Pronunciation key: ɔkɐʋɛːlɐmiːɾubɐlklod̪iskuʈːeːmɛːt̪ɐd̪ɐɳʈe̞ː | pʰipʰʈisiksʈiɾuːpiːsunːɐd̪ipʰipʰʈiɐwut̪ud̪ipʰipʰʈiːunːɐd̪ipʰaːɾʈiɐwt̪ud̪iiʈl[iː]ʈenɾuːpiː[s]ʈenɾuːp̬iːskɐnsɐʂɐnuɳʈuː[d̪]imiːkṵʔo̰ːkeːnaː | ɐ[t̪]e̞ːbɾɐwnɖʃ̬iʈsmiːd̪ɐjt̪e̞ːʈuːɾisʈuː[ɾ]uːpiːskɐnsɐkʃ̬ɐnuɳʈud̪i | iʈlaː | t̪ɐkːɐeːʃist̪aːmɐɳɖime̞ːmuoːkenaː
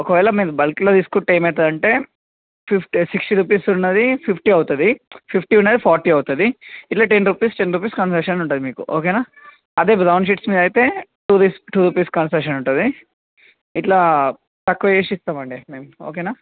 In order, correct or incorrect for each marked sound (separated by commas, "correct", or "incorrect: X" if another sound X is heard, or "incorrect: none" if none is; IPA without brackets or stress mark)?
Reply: incorrect: aː, correct, correct, incorrect: d̪, correct